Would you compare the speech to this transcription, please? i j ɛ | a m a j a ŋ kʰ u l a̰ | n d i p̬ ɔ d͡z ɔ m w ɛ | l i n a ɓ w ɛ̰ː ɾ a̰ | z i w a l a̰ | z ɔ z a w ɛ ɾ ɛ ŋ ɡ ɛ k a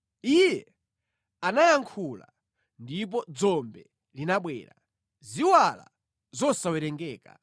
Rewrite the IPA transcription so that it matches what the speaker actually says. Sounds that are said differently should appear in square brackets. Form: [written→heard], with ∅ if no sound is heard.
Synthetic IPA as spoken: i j ɛ | a [m→n] a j a ŋ kʰ u l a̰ | n d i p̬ ɔ d͡z ɔ m [w→b] ɛ | l i n a ɓ w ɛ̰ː ɾ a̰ | z i w a l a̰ | z ɔ [z→s] a w ɛ ɾ ɛ ŋ ɡ [ɛ→ɛː] k a